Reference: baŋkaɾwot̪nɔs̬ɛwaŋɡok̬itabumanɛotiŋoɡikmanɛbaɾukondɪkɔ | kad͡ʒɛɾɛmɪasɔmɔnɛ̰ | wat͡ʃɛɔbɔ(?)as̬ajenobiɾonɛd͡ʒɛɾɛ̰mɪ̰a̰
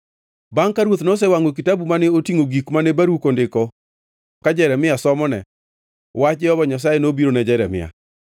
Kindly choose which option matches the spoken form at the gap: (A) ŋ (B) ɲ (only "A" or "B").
B